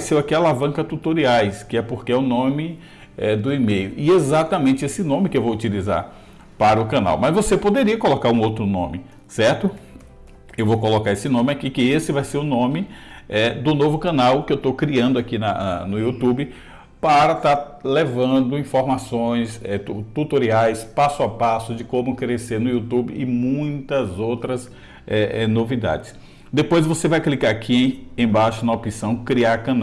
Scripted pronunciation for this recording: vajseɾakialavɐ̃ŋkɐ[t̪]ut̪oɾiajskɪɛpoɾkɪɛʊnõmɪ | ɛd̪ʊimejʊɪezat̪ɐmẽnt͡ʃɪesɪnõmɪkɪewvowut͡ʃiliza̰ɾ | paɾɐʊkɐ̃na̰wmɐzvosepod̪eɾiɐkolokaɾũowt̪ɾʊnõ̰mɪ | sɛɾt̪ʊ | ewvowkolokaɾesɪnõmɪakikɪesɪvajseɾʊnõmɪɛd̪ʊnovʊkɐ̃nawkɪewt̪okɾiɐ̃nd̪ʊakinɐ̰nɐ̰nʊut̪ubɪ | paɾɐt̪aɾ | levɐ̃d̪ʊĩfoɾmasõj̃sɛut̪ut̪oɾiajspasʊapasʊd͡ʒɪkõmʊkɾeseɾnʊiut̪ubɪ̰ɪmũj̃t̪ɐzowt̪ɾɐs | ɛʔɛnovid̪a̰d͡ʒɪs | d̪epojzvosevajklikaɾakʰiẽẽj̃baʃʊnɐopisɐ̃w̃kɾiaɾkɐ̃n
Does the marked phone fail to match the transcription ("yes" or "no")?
no